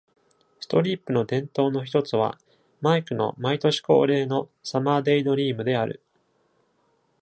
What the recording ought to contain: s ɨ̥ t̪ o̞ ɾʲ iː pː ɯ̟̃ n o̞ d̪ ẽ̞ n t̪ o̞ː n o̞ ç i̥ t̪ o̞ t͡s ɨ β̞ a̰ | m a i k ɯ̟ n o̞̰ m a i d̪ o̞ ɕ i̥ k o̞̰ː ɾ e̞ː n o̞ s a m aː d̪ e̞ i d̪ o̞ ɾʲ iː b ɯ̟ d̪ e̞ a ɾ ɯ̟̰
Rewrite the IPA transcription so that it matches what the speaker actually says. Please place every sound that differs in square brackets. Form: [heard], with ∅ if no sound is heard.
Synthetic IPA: s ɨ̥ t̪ o̞ ɾʲ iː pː [ɯ̟] n o̞ d̪ ẽ̞ n t̪ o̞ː n o̞ ç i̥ t̪ o̞ t͡s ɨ β̞ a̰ | m a i k ɯ̟ n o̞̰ m a i [t̪] o̞ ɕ i̥ k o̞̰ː ɾ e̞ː n o̞ s a m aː d̪ e̞ i d̪ o̞ ɾʲ iː [m] ɯ̟ d̪ e̞ a ɾ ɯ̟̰